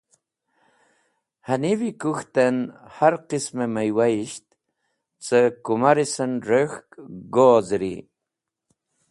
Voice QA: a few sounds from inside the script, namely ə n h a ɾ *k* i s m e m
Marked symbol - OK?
no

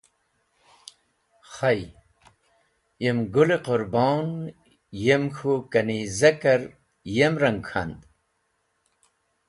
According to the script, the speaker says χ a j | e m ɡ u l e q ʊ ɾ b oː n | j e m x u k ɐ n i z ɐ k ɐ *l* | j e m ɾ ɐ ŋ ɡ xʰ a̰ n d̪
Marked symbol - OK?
no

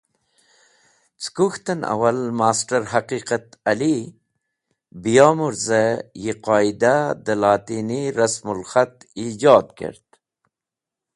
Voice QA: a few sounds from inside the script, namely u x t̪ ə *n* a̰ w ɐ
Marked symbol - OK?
yes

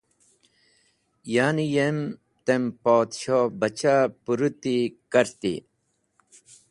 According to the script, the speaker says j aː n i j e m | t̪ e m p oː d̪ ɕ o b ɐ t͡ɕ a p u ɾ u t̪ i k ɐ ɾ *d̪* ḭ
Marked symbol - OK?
no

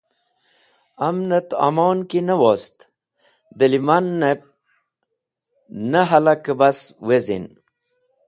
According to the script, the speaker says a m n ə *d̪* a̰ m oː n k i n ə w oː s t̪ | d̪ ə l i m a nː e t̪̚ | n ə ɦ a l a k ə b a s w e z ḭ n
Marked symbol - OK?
no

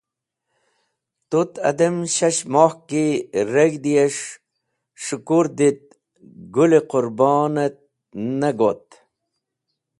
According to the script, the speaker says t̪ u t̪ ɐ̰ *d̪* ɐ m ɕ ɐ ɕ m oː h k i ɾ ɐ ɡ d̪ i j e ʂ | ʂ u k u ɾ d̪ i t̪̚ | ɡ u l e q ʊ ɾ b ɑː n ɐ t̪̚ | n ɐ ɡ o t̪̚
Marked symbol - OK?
yes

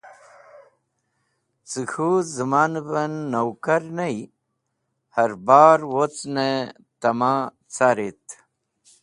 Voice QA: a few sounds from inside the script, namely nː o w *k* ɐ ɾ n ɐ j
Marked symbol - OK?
yes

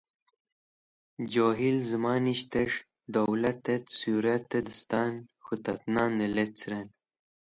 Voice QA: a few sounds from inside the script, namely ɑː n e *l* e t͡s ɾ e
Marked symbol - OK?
yes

